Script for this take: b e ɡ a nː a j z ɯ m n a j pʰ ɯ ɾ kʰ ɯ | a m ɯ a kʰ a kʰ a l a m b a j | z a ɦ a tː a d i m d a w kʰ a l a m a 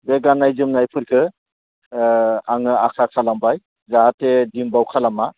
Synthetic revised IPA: b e ɡ a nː a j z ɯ m n a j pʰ ɯ ɾ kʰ ɯ | a ŋ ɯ a kʰ a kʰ a l a m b a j | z a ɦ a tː e d i m b a w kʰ a l a m a